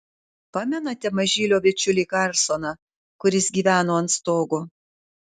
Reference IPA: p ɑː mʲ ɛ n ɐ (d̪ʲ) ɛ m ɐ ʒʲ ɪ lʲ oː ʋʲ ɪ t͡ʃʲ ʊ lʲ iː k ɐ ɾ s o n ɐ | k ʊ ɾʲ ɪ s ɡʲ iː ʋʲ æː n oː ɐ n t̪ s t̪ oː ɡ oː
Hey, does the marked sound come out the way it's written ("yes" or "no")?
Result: no